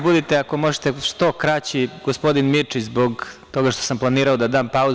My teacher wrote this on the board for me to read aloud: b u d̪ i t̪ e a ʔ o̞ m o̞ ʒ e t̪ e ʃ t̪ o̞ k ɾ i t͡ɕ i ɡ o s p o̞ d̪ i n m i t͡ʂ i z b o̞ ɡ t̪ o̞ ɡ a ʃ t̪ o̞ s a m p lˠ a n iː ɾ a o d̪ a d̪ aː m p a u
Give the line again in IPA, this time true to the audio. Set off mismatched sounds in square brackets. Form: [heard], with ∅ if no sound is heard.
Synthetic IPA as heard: b u d̪ i t̪ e a [k] o̞ m o̞ ʒ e t̪ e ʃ t̪ o̞ k ɾ [a] t͡ɕ i ɡ o s p o̞ d̪ i n m i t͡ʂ i z b o̞ ɡ t̪ o̞ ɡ a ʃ t̪ o̞ s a m p lˠ a n iː ɾ a o d̪ a d̪ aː m p a u